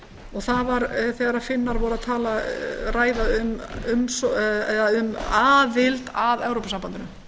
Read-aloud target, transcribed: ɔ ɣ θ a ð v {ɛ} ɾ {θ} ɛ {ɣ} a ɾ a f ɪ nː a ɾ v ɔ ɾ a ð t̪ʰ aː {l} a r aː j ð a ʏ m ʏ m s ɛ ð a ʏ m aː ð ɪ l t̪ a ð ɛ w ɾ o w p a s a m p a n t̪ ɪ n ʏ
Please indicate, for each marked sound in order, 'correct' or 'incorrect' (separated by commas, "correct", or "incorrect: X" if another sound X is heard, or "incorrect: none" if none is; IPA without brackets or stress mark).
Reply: incorrect: a, correct, correct, correct